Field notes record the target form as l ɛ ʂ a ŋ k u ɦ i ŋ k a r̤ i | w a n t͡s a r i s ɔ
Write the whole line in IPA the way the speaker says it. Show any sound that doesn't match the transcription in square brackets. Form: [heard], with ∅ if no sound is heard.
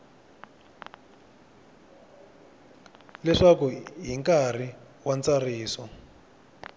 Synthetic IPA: l ɛ ʂ a [∅] k u ɦ i ŋ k a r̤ i | w a n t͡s a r [iː] s ɔ